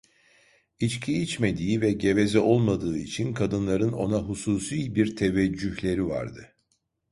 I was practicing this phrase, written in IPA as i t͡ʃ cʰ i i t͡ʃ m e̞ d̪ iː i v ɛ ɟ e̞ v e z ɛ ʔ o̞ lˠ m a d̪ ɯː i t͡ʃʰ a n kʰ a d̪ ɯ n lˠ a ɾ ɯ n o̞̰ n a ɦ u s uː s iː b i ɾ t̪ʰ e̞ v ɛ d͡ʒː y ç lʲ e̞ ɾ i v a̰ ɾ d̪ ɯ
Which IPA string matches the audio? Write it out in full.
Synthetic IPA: i t͡ʃ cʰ i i t͡ʃ m e̞ d̪ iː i v ɛ ɟ e̞ v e z ɛ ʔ o̞ lˠ m a d̪ ɯː i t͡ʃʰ i n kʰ a d̪ ɯ n lˠ a ɾ ɯ n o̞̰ n a ɦ u s uː s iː b i ɾ t̪ʰ e̞ v ɛ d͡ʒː y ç lʲ e̞ ɾ i v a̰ ɾ d̪ ɯ